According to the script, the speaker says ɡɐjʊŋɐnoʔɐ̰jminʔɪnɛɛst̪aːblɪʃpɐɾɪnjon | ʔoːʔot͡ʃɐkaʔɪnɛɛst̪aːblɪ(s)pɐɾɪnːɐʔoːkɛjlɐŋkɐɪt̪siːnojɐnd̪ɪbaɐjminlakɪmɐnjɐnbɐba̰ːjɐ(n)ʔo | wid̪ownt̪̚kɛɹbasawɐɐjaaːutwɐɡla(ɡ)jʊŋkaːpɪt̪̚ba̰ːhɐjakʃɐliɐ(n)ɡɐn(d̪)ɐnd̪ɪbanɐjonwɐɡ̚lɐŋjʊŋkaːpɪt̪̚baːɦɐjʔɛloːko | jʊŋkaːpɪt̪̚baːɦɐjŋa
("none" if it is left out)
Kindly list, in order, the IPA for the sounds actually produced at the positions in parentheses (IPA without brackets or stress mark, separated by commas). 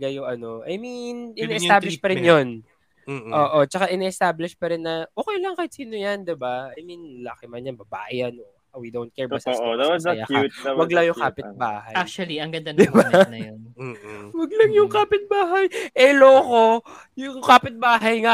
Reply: ʃ, n, ŋ, ŋ, d̪